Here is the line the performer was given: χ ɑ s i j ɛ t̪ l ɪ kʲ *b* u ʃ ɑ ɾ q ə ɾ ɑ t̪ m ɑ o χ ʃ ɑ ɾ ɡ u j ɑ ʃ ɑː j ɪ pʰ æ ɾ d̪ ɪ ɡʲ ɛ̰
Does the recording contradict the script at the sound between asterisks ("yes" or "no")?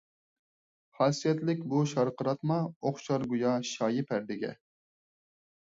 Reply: no